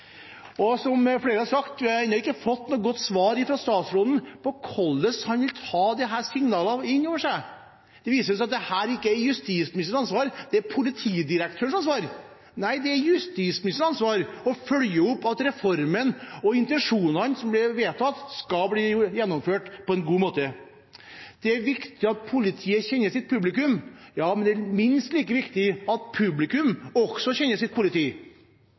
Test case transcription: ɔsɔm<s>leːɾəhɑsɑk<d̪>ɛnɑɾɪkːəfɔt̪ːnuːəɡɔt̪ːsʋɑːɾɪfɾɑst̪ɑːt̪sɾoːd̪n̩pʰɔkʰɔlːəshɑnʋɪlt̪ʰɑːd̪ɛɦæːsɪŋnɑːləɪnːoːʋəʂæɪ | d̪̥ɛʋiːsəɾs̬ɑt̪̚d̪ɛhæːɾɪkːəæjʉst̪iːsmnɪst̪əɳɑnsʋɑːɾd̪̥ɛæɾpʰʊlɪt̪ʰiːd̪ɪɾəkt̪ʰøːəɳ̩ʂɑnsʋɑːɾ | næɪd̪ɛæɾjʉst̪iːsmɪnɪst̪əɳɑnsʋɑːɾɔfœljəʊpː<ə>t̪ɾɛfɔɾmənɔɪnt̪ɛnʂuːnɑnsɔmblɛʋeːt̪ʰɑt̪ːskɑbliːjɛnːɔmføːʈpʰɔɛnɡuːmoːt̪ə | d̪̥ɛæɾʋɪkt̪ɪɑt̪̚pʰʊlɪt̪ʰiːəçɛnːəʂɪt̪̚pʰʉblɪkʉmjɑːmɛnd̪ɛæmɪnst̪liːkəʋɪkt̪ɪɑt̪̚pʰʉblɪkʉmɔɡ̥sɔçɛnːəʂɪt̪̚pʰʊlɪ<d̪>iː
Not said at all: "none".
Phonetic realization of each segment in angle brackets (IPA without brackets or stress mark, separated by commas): f, t̪, ɑ, t̪